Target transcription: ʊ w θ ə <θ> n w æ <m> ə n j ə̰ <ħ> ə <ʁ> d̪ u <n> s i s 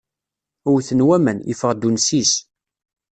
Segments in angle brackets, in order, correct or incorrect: incorrect, correct, incorrect, correct, correct

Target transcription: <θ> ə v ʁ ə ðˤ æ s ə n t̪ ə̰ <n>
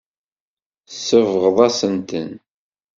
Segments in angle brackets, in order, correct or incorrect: incorrect, correct

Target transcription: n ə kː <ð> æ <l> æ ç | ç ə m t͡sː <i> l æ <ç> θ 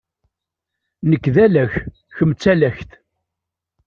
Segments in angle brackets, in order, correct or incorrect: correct, correct, incorrect, correct

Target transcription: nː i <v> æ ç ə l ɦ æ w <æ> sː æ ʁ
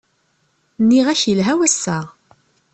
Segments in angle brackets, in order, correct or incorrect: incorrect, correct

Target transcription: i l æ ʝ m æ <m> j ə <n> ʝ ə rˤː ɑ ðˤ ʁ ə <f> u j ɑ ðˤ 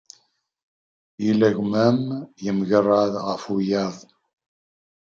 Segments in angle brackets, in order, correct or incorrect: correct, incorrect, correct

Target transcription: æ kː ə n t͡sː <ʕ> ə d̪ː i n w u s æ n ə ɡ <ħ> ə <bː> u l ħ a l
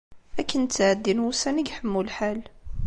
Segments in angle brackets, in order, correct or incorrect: correct, correct, incorrect

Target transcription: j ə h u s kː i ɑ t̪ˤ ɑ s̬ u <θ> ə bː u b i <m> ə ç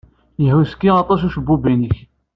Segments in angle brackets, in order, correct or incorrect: incorrect, incorrect

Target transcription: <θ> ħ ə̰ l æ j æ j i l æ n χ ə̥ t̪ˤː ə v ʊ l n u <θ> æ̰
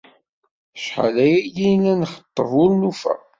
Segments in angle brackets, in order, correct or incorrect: incorrect, incorrect

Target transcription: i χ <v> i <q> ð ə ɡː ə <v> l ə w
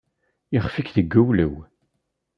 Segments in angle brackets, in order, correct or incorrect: incorrect, incorrect, incorrect

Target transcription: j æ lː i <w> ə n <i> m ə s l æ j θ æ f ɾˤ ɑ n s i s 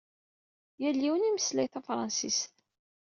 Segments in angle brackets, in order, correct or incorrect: correct, correct

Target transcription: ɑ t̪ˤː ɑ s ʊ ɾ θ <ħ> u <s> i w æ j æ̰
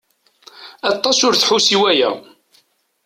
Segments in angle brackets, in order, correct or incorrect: correct, correct

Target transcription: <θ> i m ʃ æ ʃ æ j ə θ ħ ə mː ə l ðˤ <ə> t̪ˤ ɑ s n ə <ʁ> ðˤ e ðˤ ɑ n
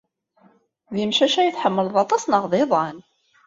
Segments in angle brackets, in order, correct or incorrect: incorrect, incorrect, correct

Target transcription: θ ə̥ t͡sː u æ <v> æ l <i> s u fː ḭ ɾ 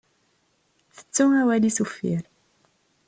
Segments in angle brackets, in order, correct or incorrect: incorrect, correct

